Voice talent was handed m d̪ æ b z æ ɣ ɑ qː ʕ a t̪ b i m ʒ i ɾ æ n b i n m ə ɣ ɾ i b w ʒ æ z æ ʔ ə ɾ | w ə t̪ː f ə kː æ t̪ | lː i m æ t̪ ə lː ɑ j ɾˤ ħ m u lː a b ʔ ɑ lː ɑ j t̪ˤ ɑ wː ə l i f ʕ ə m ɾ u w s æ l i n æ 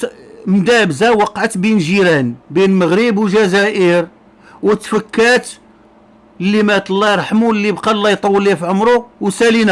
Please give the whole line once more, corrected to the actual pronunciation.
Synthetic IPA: m d̪ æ b z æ w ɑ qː ʕ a t̪ b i n ʒ i ɾ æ n b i n m ə ɣ ɾ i b w ʒ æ z æ ʔ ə ɾ | w ə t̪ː f ə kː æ t̪ | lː i m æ t̪ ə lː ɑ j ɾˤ ħ m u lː i b q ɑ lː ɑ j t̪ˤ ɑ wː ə l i f ʕ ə m ɾ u w s æ l i n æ